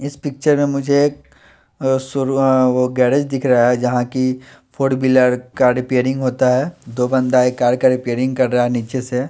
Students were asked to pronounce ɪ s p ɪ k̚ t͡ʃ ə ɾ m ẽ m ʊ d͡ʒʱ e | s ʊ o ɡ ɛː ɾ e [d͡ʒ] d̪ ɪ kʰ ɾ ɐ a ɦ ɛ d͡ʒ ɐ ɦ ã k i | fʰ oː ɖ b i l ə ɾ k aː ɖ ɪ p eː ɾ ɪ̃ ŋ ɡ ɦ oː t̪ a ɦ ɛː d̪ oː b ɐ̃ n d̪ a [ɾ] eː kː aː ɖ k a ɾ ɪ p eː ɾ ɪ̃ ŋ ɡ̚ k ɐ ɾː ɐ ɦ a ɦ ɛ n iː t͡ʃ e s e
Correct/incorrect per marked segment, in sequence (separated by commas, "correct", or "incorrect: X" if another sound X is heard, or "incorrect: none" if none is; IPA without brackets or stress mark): correct, incorrect: none